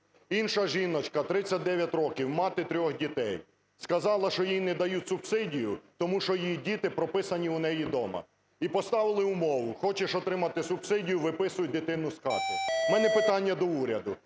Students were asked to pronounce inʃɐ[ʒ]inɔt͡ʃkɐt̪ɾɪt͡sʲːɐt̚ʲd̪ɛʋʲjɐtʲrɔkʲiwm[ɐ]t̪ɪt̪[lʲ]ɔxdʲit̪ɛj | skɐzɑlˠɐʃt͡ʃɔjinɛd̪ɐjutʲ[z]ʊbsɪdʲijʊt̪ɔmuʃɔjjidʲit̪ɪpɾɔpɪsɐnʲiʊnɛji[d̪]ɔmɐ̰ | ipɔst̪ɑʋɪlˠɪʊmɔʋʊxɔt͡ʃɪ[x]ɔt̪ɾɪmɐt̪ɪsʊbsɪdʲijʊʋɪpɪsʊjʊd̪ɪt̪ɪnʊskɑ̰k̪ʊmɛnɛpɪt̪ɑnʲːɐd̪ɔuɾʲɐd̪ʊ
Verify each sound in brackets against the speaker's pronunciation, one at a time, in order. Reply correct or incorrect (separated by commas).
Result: correct, incorrect, incorrect, incorrect, correct, incorrect